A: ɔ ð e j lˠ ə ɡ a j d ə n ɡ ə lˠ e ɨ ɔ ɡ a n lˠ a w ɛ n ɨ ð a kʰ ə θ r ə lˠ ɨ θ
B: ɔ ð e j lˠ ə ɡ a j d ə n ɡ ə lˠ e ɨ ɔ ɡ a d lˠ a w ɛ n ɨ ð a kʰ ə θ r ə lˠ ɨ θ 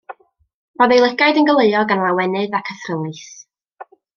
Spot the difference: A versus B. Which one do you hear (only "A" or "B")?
A